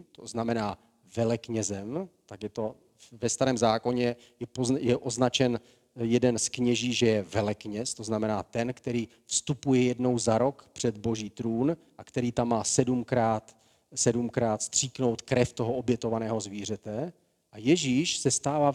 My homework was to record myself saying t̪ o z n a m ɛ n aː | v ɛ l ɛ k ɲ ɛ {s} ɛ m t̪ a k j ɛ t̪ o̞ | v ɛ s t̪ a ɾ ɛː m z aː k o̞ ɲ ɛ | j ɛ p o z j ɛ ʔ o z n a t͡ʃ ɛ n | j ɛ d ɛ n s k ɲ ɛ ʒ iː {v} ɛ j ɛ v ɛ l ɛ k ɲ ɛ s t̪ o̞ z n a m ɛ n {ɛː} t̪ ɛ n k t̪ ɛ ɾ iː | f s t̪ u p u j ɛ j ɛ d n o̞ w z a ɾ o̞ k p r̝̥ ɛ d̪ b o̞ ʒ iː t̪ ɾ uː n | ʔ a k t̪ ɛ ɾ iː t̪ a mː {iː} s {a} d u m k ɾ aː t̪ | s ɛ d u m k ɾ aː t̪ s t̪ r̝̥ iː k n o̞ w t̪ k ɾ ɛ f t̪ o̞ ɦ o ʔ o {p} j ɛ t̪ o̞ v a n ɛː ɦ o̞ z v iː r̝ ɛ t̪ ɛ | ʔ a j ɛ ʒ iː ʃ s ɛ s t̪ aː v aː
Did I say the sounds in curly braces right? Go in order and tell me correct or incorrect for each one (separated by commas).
incorrect, incorrect, incorrect, incorrect, incorrect, incorrect